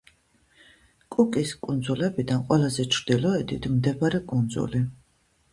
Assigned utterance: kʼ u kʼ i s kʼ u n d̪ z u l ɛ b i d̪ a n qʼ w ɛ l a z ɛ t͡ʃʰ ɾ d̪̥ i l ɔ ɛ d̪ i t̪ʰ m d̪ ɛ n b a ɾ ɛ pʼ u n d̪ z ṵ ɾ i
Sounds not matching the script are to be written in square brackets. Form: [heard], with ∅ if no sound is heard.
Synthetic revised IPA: kʼ u kʼ i s kʼ u n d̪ z u l ɛ b i d̪ a n qʼ w ɛ l a z ɛ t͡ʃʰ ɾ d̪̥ i l ɔ ɛ d̪ i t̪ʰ m d̪ ɛ [∅] b a ɾ ɛ [kʼ] u n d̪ z ṵ [l] i